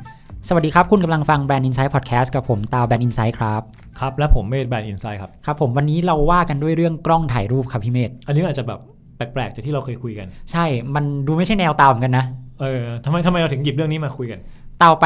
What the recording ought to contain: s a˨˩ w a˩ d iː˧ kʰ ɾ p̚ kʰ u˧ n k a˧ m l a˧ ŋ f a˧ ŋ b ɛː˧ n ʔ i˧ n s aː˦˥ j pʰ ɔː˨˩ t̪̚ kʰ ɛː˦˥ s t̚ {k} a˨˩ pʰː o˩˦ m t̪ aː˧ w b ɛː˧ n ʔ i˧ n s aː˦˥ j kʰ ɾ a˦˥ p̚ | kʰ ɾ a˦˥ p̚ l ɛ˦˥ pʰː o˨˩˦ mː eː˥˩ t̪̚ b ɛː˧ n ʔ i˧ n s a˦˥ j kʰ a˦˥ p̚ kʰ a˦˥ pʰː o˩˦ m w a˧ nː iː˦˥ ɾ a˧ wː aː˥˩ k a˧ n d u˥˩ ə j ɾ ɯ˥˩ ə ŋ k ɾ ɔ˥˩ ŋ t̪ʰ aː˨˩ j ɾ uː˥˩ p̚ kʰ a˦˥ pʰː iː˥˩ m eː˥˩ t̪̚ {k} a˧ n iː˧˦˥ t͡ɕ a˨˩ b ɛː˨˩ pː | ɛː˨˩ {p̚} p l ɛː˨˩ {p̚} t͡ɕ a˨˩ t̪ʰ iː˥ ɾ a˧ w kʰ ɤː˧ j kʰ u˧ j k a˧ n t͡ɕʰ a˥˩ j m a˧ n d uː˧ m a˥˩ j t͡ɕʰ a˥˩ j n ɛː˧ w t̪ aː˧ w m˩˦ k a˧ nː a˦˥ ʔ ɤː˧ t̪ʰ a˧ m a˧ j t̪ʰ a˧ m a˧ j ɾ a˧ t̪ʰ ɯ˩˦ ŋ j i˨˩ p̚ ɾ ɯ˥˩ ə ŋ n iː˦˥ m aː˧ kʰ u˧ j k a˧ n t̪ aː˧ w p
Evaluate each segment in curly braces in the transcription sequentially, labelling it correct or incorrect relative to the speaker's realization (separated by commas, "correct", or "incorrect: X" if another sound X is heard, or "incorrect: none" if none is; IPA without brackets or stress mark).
correct, incorrect: ʔ, incorrect: k̚, incorrect: k̚